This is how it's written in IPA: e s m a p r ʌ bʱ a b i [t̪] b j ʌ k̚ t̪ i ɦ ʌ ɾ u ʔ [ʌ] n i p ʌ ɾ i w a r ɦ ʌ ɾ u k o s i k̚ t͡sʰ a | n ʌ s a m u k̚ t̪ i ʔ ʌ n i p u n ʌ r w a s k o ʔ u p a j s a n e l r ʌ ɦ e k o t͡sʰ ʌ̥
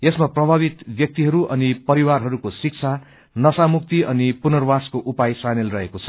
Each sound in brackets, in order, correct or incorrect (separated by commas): correct, correct